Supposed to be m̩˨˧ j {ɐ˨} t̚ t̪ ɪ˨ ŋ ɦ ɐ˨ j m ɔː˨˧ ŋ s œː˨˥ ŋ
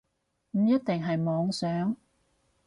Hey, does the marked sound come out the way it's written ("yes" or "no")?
no